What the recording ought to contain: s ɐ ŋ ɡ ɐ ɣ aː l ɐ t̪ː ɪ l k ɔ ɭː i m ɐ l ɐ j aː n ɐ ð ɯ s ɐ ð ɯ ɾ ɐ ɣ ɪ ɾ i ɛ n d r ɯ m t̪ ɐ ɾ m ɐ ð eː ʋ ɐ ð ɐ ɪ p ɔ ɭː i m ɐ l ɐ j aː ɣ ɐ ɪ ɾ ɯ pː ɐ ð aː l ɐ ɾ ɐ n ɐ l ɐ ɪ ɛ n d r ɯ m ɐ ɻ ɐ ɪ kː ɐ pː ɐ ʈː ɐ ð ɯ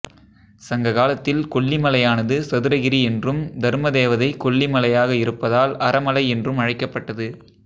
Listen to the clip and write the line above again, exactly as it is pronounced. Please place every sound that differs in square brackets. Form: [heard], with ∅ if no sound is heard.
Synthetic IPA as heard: s ɐ ŋ ɡ ɐ ɣ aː l ɐ t̪ː ɪ l k ɔ ɭː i m ɐ l ɐ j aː n ɐ ð ɯ s ɐ ð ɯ ɾ ɐ ɣ ɪ ɾ i ɛ n d r ɯ m [d̪] ɐ ɾ m ɐ ð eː ʋ ɐ ð ɐ ɪ [k] ɔ ɭː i m ɐ l ɐ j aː ɣ ɐ ɪ ɾ ɯ pː ɐ ð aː l ɐ ɾ ɐ [m] ɐ l ɐ ɪ ɛ n d r ɯ m ɐ ɻ ɐ ɪ kː ɐ pː ɐ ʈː ɐ ð ɯ

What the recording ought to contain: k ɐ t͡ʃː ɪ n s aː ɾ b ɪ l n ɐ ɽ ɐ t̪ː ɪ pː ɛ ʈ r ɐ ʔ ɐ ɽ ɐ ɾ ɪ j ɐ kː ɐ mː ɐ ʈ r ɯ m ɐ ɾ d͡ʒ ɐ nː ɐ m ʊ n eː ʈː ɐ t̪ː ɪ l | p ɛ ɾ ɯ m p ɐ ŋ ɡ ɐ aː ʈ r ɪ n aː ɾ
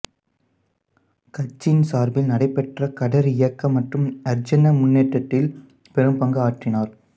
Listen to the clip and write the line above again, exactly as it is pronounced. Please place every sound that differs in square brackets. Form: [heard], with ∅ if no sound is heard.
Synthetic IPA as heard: k ɐ t͡ʃː ɪ n s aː ɾ b ɪ l n ɐ ɽ ɐ [∅] ɪ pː ɛ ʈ r ɐ [k] ɐ ɽ ɐ ɾ ɪ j ɐ kː ɐ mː ɐ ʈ r ɯ m ɐ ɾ d͡ʒ ɐ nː ɐ m ʊ [nː] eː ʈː ɐ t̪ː ɪ l | p ɛ ɾ ɯ m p ɐ ŋ ɡ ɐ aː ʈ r ɪ n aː ɾ

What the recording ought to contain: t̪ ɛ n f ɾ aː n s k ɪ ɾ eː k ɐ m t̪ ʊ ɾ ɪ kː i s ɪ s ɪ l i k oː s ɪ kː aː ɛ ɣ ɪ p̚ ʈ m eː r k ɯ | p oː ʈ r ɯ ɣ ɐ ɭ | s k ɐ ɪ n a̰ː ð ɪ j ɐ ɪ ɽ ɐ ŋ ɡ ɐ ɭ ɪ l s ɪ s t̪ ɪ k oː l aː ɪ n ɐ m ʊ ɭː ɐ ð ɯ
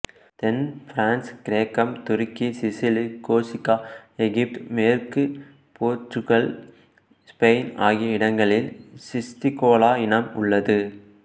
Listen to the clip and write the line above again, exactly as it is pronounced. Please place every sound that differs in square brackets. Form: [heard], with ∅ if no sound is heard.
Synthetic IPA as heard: t̪ ɛ n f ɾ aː n s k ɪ ɾ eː k ɐ m t̪ ʊ ɾ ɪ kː i s ɪ s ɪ l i k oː s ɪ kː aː ɛ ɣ ɪ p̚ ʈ m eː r k ɯ | p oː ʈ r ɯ ɣ ɐ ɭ | s [p] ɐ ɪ n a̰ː [ɣ] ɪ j ɐ ɪ ɽ ɐ ŋ ɡ ɐ ɭ ɪ l s ɪ s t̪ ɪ k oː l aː ɪ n ɐ m ʊ ɭː ɐ ð ɯ

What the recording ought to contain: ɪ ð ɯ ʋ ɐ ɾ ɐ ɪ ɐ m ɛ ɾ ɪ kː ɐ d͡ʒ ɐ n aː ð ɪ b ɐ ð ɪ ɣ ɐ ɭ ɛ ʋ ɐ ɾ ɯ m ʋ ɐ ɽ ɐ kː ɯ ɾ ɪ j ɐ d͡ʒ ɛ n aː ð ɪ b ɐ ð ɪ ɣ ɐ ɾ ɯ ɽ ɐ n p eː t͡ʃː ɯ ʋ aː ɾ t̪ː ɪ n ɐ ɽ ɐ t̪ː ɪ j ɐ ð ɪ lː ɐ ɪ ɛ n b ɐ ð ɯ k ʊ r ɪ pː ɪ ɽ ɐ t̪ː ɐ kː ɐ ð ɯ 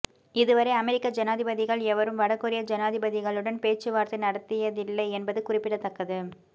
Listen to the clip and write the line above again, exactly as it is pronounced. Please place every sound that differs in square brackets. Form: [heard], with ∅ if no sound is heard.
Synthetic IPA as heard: ɪ ð ɯ ʋ ɐ ɾ ɐ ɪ ɐ m ɛ ɾ ɪ kː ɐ d͡ʒ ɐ n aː ð ɪ b ɐ ð ɪ ɣ ɐ ɭ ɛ ʋ ɐ ɾ ɯ m ʋ ɐ ɽ ɐ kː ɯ ɾ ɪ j ɐ d͡ʒ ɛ n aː ð ɪ b ɐ ð ɪ ɣ ɐ [ɭ] ɯ ɽ ɐ n p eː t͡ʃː ɯ ʋ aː ɾ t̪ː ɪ n ɐ ɽ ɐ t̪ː ɪ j ɐ ð ɪ lː ɐ ɪ ɛ n b ɐ ð ɯ k ʊ r ɪ pː ɪ ɽ ɐ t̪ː ɐ kː ɐ ð ɯ

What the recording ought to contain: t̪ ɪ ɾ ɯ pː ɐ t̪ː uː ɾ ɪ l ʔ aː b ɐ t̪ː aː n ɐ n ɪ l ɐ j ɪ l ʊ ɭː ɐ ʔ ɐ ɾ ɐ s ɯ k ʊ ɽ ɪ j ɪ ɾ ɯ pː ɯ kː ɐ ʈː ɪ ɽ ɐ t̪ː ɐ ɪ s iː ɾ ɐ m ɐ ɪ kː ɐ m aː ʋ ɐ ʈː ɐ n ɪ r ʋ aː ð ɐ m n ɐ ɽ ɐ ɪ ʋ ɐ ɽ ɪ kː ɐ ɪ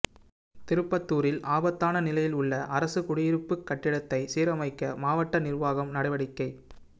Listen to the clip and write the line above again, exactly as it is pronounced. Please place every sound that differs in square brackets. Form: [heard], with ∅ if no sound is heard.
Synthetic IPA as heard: t̪ ɪ ɾ ɯ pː ɐ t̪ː uː ɾ ɪ l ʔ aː b ɐ t̪ː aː n ɐ n ɪ l ɐ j ɪ l ʊ ɭː ɐ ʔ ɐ ɾ ɐ s ɯ k ʊ ɽ ɪ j ɪ ɾ ɯ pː ɯ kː ɐ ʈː ɪ ɽ ɐ t̪ː ɐ ɪ s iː ɾ ɐ m ɐ ɪ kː ɐ m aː ʋ ɐ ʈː ɐ n ɪ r ʋ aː [ɣ] ɐ m n ɐ ɽ ɐ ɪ ʋ ɐ ɽ ɪ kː ɐ ɪ

